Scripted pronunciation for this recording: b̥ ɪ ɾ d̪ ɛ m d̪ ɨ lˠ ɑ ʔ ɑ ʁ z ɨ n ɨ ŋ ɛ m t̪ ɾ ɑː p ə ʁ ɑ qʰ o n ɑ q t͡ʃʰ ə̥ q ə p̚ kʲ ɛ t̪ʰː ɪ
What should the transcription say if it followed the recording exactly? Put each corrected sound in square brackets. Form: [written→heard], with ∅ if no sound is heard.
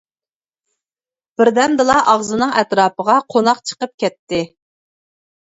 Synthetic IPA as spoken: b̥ ɪ ɾ d̪ ɛ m d̪ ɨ lˠ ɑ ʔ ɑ ʁ z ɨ n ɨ ŋ ɛ [m→∅] t̪ ɾ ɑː p ə ʁ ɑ qʰ o n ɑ q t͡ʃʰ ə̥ q ə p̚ kʲ ɛ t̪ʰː ɪ